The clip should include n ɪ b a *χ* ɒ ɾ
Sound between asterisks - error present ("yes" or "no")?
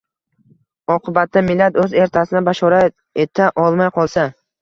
yes